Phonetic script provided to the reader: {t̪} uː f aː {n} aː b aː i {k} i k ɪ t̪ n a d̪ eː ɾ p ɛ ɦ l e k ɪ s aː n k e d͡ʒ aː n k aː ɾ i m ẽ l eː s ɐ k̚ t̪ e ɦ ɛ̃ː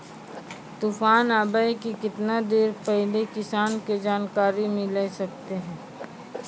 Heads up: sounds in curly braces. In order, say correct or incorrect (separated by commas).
correct, correct, correct